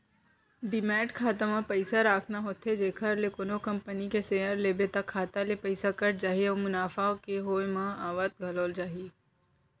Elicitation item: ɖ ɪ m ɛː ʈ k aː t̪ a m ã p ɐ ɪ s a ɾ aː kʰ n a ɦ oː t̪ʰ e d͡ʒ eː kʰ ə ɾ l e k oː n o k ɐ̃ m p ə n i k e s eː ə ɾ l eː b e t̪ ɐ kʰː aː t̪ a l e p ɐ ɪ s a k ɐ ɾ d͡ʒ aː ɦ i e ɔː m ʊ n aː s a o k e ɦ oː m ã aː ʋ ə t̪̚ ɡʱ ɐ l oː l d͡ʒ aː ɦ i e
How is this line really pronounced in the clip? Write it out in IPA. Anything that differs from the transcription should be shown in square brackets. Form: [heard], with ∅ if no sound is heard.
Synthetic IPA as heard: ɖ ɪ m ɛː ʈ [kʰ] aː t̪ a m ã p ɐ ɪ s a ɾ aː kʰ n a ɦ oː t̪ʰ e d͡ʒ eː kʰ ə ɾ l e k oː n o k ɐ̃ m p ə n i k e s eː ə ɾ l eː b e t̪ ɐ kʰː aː t̪ a l e p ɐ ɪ s a k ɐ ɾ d͡ʒ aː ɦ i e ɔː m ʊ n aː [f] a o k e ɦ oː m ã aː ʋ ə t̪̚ ɡʱ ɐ l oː l d͡ʒ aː ɦ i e